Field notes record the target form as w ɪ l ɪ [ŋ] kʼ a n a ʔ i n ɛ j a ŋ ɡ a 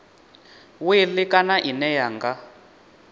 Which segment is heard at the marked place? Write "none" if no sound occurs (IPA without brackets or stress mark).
none